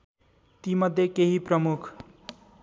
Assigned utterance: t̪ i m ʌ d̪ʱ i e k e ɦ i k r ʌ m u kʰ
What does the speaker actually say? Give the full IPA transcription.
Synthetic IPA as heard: t̪ i m ʌ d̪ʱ j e k e ɦ i p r ʌ m u kʰ